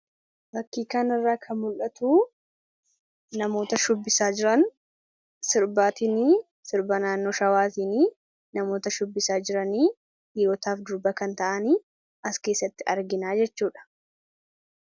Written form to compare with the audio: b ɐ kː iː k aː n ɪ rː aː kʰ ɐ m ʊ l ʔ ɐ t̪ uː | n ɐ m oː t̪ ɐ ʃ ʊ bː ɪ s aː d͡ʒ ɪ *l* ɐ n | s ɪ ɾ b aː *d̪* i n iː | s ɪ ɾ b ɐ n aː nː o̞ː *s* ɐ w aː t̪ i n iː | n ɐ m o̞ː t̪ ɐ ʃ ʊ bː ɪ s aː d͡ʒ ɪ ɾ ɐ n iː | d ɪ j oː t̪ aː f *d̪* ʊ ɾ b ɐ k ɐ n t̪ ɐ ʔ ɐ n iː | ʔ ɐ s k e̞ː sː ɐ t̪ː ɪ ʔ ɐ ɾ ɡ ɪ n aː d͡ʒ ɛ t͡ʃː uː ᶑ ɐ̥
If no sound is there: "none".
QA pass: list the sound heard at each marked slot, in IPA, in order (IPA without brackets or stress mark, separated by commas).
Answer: ɾ, t̪, ʃ, d̪